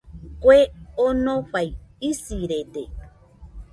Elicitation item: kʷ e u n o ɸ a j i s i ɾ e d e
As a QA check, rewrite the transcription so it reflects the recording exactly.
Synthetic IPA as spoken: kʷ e o n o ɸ a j i s i ɾ e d e